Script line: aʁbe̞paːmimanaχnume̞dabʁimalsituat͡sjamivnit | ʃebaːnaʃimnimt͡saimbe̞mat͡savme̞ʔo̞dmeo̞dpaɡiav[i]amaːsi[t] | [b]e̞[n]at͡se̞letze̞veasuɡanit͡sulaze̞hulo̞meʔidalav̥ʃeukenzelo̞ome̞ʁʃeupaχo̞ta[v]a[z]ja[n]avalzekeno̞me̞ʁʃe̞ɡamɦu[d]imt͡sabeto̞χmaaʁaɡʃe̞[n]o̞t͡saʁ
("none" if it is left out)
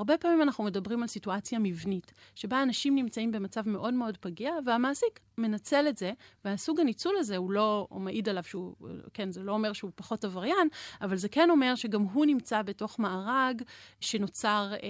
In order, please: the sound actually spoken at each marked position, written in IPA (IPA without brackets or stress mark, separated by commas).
e, k, m, n, v, ʁ, n, n, n